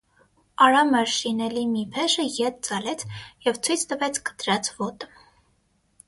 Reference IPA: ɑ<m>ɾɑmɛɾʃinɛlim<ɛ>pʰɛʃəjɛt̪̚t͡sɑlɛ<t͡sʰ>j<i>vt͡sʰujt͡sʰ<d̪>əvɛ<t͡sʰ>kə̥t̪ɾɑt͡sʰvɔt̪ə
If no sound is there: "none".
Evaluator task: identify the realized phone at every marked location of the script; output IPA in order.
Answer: none, i, t͡sʰ, ɛ, t̪, t͡sʰ

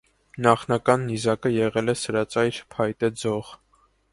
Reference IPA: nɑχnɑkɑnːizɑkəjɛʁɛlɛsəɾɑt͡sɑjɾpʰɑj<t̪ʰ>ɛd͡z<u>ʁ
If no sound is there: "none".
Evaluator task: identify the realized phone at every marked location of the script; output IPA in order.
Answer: t̪, ɔ

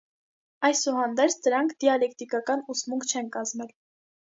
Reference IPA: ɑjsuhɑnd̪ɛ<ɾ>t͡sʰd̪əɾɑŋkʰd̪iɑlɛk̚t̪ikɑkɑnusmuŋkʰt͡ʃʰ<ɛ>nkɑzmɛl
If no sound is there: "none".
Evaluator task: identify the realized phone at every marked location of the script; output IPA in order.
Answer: ɾ, ɛ

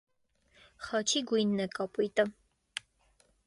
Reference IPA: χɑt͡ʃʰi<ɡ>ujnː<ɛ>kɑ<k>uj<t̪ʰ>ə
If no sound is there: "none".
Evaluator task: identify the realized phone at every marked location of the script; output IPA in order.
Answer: ɡ, ɛ, p, t̪

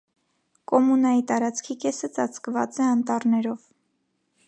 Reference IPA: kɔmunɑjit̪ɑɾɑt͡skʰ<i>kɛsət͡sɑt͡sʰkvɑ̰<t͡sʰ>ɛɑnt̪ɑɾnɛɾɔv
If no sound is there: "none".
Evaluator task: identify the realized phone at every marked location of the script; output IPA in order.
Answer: i, t͡s

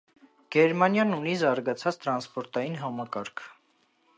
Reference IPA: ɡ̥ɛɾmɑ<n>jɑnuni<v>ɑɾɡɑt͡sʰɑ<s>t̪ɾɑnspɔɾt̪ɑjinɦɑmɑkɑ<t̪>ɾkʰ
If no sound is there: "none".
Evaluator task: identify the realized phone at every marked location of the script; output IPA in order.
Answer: n, z, t͡s, none

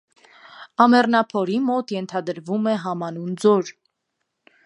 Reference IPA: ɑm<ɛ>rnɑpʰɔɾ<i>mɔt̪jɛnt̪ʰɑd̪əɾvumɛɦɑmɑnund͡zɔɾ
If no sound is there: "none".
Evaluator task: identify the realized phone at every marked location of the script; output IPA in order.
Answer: ɛ, i

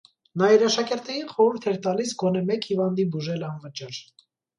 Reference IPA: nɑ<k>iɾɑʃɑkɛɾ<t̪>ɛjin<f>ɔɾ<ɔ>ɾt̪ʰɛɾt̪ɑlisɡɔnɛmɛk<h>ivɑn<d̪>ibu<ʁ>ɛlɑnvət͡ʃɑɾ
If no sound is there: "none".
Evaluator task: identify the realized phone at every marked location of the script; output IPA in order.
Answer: none, t̪, χ, u, h, d̪, ʒ

